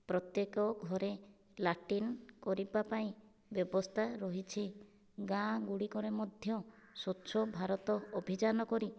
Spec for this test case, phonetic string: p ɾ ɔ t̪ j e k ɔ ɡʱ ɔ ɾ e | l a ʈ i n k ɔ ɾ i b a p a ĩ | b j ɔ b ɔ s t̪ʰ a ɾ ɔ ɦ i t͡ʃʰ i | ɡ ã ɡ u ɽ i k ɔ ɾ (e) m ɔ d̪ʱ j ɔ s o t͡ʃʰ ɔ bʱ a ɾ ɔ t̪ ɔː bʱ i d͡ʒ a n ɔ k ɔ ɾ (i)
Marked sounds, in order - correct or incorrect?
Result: correct, correct

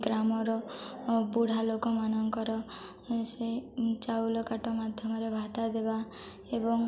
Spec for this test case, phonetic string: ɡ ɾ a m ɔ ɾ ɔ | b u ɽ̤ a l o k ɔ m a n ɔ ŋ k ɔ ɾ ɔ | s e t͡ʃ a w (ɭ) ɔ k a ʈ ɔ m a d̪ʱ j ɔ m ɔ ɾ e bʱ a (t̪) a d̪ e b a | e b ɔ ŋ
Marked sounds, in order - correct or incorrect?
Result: incorrect: l, correct

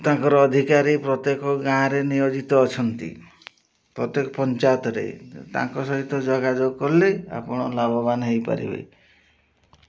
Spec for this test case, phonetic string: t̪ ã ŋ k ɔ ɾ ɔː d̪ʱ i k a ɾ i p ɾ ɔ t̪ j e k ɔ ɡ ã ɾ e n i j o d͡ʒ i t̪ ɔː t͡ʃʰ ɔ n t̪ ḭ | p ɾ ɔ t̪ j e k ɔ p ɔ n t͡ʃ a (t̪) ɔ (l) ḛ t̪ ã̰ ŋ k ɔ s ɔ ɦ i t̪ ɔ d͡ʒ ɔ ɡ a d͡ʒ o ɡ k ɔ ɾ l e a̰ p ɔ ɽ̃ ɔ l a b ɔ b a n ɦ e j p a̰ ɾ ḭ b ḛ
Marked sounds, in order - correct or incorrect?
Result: correct, incorrect: ɾ

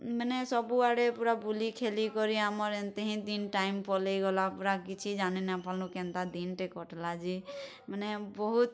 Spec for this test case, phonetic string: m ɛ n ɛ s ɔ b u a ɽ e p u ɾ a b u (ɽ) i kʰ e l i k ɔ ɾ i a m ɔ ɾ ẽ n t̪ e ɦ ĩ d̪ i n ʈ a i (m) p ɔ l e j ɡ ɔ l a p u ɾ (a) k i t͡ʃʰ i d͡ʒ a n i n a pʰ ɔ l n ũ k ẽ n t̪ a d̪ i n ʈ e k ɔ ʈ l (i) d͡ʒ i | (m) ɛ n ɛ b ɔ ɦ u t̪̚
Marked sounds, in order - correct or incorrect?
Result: incorrect: l, correct, correct, incorrect: a, correct

